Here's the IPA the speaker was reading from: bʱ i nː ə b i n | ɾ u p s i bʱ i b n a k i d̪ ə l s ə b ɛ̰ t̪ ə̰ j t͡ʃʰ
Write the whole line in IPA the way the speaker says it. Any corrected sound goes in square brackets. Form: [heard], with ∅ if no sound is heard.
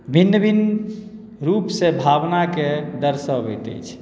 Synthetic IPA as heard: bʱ i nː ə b i n | ɾ u p s [e] bʱ [a] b n a k [e] d̪ ə [ɾ] s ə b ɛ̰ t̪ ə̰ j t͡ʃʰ